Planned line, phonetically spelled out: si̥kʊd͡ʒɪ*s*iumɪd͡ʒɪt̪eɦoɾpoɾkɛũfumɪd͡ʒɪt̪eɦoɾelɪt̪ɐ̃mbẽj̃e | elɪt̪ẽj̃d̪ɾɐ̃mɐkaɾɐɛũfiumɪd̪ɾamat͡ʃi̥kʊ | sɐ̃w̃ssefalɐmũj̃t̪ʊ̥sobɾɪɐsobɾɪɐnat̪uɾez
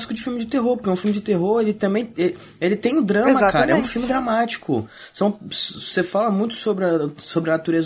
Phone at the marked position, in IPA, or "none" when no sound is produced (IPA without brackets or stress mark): f